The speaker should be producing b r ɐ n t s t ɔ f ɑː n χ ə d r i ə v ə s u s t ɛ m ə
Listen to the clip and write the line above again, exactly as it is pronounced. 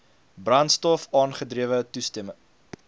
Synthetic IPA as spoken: b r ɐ n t s t ɔ f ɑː n χ ə d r i ə v ə t u s t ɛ m ə